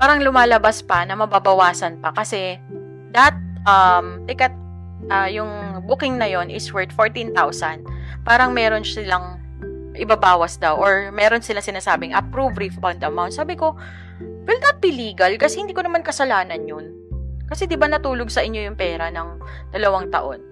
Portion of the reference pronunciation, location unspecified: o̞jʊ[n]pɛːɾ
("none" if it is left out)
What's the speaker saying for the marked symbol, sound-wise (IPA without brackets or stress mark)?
ŋ